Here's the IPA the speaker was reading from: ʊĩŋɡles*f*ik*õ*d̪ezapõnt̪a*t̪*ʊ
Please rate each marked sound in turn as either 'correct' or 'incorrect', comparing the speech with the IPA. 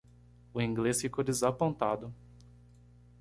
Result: correct, incorrect, incorrect

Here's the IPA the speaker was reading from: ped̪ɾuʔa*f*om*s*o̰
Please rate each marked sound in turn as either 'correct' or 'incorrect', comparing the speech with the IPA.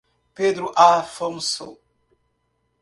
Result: correct, correct

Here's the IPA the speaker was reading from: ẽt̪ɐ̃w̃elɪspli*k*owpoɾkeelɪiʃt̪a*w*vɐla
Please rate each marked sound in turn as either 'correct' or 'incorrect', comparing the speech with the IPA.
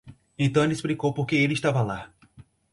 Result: correct, incorrect

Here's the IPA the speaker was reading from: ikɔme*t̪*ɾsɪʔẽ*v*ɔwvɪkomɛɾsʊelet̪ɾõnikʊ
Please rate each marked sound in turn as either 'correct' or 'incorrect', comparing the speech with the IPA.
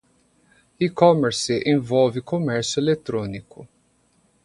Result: incorrect, correct

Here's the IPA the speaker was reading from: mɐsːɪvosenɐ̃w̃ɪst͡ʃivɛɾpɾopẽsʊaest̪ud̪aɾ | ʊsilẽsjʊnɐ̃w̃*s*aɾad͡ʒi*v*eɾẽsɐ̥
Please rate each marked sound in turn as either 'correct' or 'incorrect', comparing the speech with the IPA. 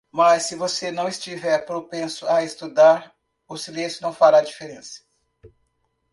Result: incorrect, incorrect

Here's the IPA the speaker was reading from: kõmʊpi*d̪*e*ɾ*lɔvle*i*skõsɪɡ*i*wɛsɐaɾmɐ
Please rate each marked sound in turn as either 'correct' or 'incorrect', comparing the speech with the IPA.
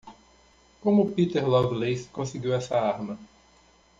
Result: incorrect, correct, incorrect, correct

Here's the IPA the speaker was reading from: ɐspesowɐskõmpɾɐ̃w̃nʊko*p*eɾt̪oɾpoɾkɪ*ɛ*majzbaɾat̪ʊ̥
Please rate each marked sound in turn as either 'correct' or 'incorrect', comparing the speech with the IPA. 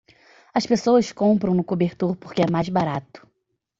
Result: incorrect, correct

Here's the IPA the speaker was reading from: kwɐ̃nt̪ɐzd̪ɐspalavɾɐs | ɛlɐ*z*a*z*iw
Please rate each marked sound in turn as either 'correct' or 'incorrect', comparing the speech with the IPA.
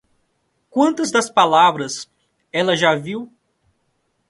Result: incorrect, incorrect

